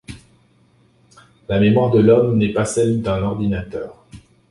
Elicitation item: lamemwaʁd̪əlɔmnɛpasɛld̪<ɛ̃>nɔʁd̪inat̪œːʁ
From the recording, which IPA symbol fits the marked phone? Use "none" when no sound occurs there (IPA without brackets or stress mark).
ɛ̃